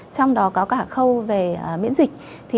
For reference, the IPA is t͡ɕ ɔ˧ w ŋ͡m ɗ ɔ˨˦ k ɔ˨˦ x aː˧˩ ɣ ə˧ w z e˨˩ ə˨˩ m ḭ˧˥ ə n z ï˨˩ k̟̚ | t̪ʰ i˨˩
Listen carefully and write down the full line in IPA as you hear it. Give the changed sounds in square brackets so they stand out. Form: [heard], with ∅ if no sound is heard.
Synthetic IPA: t͡ɕ ɔ˧ w ŋ͡m ɗ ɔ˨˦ k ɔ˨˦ [k] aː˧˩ [x] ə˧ w [v] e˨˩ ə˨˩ m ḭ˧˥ ə n z ï˨˩ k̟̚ | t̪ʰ i˨˩